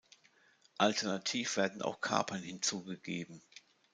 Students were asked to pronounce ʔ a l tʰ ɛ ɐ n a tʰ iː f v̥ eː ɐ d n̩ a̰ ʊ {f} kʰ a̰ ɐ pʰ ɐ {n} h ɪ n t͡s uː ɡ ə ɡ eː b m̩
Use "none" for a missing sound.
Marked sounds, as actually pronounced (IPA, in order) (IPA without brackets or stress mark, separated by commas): x, n